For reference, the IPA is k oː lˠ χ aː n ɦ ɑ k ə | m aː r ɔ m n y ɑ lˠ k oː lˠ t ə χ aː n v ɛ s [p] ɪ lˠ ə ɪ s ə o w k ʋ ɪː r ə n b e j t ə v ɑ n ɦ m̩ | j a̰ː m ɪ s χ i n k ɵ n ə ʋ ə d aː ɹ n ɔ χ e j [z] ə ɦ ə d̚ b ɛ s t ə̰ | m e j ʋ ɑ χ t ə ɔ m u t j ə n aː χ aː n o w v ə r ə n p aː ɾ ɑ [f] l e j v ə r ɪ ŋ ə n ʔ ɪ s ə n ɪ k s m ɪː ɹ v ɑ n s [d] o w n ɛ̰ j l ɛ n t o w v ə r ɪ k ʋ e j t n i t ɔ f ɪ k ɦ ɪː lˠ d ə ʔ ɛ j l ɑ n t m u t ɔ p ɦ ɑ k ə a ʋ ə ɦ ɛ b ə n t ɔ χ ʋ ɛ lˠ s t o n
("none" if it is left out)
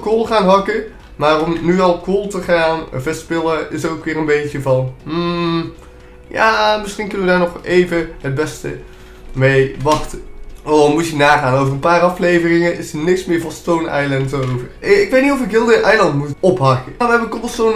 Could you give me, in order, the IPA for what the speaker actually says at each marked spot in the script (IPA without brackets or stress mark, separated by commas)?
p, v, f, t